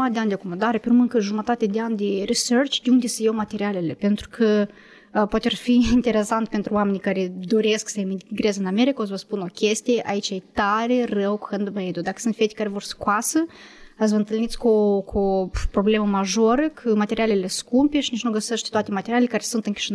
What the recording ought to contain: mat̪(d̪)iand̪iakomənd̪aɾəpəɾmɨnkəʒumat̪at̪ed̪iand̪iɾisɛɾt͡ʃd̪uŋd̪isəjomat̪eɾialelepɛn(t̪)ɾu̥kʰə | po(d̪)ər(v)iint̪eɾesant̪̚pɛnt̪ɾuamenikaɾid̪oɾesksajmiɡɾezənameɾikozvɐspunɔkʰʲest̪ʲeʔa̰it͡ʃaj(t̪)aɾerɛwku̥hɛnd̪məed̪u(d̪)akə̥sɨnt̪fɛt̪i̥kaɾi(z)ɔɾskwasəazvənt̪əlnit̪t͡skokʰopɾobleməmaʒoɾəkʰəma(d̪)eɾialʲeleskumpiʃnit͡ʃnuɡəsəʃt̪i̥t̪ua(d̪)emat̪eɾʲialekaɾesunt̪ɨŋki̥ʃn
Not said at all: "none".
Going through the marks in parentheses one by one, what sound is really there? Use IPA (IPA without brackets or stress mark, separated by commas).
d̪, t̪, t̪, f, t̪, d̪, v, t̪, t̪